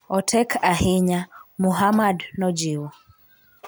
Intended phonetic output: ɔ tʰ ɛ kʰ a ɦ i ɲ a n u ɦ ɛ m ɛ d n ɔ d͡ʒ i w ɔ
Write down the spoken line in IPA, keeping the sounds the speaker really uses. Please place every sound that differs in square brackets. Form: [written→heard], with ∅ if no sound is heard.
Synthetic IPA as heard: ɔ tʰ ɛ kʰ a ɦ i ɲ a [n→m] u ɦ [ɛ→a] m [ɛ→a] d n ɔ d͡ʒ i w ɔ